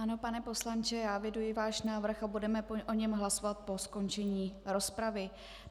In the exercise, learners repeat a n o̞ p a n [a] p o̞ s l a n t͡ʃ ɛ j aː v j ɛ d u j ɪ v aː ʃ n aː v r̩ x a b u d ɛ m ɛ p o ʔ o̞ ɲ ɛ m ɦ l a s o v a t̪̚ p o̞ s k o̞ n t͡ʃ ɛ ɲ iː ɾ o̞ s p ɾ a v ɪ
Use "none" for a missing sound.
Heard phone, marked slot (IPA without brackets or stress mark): ɛ